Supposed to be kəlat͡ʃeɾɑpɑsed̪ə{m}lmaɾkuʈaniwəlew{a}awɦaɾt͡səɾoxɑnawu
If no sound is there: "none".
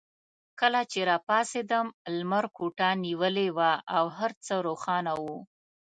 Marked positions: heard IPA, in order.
m, a

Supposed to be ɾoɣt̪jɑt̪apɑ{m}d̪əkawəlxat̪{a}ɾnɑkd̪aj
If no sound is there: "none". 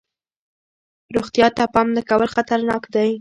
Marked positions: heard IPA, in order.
m, a

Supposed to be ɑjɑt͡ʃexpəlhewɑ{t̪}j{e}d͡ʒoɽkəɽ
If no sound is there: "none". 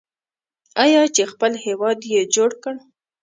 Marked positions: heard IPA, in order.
d̪, e

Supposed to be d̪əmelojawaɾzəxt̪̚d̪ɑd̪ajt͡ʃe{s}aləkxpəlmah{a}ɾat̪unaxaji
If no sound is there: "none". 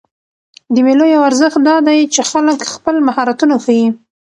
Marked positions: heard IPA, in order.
x, ɑ

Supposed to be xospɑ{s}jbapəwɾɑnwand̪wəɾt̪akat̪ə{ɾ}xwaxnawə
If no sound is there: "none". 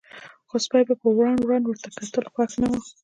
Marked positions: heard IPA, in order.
none, l

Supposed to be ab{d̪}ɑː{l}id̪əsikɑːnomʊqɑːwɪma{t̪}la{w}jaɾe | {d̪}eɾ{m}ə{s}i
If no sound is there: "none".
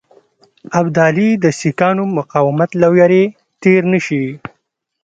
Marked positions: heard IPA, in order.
d̪, l, t̪, w, t̪, n, ʃ

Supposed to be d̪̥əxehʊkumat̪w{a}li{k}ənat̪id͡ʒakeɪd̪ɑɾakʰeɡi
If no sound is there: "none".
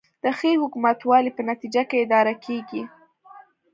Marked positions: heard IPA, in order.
ɑ, p

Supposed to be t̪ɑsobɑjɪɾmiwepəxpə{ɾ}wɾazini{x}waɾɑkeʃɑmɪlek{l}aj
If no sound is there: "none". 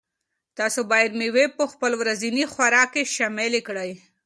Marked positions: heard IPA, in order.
l, x, ɽ

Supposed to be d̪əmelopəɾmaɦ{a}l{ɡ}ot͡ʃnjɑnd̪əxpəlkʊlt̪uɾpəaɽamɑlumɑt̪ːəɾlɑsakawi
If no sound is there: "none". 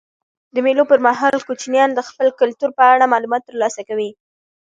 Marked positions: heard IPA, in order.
ɑ, k

